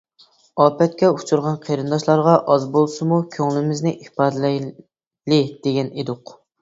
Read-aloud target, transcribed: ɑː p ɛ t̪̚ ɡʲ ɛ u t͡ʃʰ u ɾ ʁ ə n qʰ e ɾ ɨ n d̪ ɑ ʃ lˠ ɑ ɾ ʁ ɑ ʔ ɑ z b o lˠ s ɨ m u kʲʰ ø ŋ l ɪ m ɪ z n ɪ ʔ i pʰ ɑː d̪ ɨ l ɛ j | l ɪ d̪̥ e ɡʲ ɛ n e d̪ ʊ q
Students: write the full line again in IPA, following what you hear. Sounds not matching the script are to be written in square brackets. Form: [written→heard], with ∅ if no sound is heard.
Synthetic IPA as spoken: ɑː p ɛ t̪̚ [ɡʲ→kʲ] ɛ u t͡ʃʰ u ɾ ʁ [ə→ɑ] n qʰ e ɾ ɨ n d̪ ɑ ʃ lˠ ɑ ɾ ʁ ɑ ʔ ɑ z b o lˠ s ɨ m u kʲʰ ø ŋ l ɪ m ɪ z n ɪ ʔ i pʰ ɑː d̪ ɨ l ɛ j | l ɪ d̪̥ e ɡʲ ɛ n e d̪ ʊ q